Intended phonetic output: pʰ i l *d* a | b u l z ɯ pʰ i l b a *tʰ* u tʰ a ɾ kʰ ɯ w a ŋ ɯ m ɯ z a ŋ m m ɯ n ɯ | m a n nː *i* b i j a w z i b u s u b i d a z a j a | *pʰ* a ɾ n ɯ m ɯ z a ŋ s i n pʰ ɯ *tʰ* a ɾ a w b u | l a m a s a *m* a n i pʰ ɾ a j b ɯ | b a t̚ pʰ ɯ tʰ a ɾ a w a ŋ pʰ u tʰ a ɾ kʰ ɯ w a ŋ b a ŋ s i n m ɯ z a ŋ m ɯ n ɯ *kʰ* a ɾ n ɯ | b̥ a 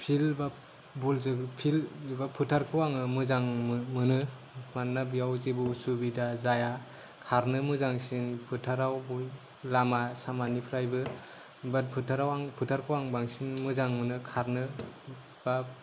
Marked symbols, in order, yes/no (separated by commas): no, no, no, no, yes, yes, yes